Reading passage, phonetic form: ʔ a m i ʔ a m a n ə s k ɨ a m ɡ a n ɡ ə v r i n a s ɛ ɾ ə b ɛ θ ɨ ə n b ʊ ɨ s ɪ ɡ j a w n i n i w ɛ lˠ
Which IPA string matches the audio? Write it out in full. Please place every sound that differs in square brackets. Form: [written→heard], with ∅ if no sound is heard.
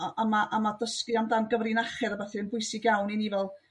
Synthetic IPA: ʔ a m [i→a] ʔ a m a [n→d] ə s k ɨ a m [ɡ→d] a n ɡ ə v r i n a [s→χ] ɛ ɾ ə b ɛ θ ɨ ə n b ʊ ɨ s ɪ ɡ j a w n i n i [w→v] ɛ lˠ